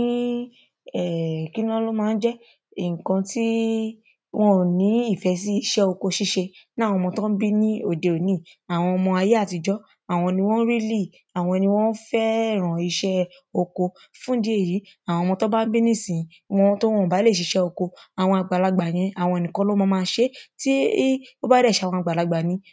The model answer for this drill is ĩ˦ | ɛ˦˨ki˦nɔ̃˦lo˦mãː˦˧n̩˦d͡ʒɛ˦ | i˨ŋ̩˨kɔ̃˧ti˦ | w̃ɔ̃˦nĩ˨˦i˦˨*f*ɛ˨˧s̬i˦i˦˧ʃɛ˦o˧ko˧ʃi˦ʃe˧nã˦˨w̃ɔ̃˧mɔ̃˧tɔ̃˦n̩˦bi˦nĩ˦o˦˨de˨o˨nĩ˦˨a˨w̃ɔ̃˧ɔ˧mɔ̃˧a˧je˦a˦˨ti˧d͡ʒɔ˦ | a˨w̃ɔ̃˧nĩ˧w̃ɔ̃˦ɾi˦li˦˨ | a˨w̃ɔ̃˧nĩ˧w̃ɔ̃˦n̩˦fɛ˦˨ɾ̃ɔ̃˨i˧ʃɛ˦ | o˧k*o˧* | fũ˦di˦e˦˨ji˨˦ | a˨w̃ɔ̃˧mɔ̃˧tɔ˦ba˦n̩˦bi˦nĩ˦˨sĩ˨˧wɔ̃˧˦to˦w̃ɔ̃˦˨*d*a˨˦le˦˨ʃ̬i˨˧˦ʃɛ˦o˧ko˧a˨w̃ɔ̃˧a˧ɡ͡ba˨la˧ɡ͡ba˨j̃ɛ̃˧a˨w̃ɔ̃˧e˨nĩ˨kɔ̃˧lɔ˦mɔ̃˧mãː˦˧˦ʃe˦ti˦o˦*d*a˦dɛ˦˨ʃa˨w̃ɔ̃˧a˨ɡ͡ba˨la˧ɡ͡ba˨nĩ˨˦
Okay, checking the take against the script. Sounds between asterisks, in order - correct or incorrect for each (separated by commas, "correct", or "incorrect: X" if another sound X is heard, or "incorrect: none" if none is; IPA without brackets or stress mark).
correct, correct, incorrect: b, incorrect: b